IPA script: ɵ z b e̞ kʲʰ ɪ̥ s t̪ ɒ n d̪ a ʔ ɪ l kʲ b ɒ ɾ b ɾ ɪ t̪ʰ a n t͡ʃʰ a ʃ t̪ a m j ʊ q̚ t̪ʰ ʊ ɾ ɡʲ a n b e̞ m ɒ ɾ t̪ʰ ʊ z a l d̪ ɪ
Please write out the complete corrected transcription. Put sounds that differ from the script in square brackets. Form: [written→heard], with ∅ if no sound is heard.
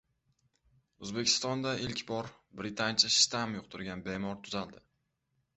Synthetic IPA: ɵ z b e̞ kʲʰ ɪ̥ s t̪ ɒ n d̪ a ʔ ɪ l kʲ b ɒ ɾ b ɾ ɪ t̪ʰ a n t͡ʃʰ a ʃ t̪ a m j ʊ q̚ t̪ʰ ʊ ɾ ɡʲ a n b e̞ m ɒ ɾ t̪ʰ ʊ z a l d̪ ɪ